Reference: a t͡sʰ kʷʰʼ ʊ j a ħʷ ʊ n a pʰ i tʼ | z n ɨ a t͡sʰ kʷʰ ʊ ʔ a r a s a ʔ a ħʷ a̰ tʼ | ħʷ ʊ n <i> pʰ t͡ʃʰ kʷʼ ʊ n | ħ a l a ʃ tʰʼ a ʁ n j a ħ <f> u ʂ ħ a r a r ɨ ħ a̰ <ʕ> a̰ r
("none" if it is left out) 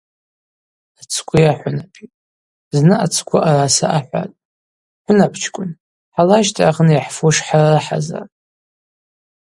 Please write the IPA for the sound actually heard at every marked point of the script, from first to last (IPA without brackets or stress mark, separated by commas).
a, f, z